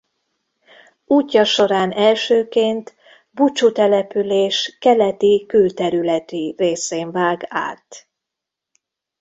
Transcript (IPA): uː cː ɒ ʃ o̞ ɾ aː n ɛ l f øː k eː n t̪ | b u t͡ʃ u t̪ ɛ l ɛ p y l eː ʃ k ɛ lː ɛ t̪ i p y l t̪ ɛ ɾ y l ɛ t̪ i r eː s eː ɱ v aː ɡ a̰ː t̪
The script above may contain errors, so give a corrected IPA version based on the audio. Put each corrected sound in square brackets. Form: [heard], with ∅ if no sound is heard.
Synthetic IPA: uː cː ɒ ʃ o̞ ɾ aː n ɛ l [ʃ] øː k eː n t̪ | b u t͡ʃ u t̪ ɛ l ɛ p y l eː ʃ k ɛ [l] ɛ t̪ i [k] y l t̪ ɛ ɾ y l ɛ t̪ i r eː s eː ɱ v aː ɡ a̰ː t̪

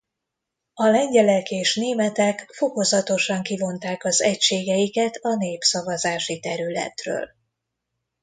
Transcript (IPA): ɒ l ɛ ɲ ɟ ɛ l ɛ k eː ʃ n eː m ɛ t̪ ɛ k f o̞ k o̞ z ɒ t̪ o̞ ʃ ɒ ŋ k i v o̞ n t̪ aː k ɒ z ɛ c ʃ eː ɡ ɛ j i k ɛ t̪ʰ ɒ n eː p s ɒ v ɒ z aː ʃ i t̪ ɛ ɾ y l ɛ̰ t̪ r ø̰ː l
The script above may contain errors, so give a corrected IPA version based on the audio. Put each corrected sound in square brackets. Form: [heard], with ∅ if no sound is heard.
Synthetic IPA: ɒ l ɛ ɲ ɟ ɛ l ɛ k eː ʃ n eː m ɛ t̪ ɛ k f o̞ k o̞ z ɒ t̪ o̞ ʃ ɒ ŋ k i v o̞ n t̪ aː k ɒ z ɛ c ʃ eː ɡ ɛ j i k ɛ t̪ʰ ɒ n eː p s ɒ v ɒ z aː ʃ i t̪ ɛ ɾ y l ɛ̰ t̪ r ø̰ː l

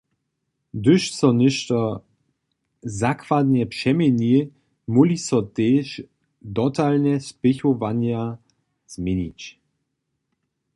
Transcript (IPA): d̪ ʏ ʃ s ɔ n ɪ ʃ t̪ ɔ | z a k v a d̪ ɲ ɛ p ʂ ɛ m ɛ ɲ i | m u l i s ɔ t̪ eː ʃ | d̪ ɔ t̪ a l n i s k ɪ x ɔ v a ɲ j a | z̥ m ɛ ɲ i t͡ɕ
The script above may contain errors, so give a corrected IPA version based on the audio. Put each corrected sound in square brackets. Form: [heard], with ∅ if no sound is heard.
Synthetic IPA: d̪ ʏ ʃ s ɔ n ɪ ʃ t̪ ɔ | z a k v a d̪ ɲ ɛ p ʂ ɛ m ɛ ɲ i | m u l i s ɔ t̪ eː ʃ | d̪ ɔ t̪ a l n [ɛ] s [p] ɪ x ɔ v a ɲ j a | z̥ m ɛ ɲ i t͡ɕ

